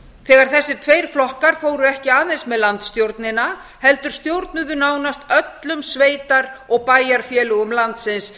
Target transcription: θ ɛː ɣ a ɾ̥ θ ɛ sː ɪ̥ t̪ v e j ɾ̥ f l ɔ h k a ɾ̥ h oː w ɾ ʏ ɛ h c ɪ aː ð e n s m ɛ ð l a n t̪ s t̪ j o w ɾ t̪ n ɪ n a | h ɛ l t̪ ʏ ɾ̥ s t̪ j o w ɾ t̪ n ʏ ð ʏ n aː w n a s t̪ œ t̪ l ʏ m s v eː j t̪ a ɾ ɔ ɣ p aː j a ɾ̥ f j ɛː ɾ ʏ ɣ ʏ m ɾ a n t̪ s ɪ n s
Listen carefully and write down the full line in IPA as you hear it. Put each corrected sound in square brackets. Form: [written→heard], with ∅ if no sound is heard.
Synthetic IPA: θ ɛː ɣ a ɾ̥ θ ɛ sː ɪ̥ [t̪→t̪ʰ] v e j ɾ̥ f l ɔ h k a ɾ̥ [h→f] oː w ɾ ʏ ɛ h c ɪ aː ð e n s m ɛ ð l a n t̪ s t̪ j o w ɾ t̪ n ɪ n a | h ɛ l t̪ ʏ ɾ̥ s t̪ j o w ɾ t̪ n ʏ ð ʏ n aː w n a s t̪ œ t̪ l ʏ m s v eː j t̪ a ɾ ɔ ɣ p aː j a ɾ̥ f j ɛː [ɾ→l] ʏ ɣ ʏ m [ɾ→l] a n t̪ s ɪ n s